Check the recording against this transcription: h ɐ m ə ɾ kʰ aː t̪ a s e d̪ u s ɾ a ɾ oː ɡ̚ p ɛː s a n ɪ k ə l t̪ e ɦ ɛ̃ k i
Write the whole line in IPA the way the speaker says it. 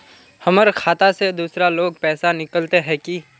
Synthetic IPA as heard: h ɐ m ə ɾ kʰ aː t̪ a s e d̪ uː s ɾ a l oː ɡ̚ p ɛː s a n ɪ k ə l t̪ e ɦ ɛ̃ k i

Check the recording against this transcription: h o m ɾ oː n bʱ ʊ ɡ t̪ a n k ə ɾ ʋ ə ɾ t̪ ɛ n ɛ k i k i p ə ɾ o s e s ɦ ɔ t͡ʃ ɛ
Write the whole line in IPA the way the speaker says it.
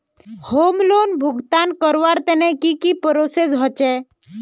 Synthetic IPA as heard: h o m l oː n bʱ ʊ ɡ t̪ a n k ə ɾ ʋ a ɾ t̪ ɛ n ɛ k i k i p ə ɾ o s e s ɦ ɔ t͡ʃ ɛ

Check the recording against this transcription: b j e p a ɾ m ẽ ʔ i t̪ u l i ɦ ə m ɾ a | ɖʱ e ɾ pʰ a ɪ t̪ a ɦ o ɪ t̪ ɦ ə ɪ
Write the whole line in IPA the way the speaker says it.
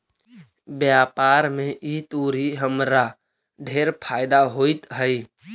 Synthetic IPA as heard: b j a p a ɾ m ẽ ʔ i t̪ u ɾ i ɦ ə m ɾ a | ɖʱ e ɾ pʰ a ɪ d̪ a ɦ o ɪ t̪ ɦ ə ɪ

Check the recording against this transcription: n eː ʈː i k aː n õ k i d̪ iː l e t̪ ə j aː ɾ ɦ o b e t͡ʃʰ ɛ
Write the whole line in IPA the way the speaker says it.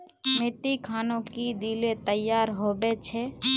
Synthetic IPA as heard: m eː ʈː i kʰ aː n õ k i d̪ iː l e t̪ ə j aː ɾ ɦ o b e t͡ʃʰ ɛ

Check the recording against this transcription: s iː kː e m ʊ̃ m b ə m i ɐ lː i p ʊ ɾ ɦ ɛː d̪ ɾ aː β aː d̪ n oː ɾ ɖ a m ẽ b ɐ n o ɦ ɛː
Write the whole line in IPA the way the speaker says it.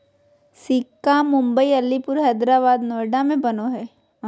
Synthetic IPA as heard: s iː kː a m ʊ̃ m b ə i ɐ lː i p ʊ ɾ ɦ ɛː d̪ ɾ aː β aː d̪ n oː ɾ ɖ a m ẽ b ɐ n o ɦ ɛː

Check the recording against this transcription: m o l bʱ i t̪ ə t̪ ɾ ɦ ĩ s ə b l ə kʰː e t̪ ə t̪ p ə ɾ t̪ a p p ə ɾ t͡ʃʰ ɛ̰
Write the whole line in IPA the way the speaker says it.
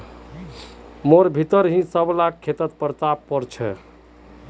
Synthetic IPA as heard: m o ɾ bʱ i t̪ ə ɾ ɦ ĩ s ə b l a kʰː e t̪ ə t̪ p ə ɾ t̪ a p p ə ɾ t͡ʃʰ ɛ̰

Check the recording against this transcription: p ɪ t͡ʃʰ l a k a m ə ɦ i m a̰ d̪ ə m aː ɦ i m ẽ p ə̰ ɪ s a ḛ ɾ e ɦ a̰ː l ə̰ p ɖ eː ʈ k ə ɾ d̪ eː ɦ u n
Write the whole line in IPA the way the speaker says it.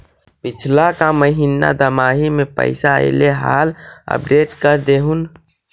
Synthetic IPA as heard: p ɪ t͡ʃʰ l a k a m ə ɦ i n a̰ d̪ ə m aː ɦ i m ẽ p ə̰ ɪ s a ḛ l e ɦ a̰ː l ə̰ p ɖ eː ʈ k ə ɾ d̪ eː ɦ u n

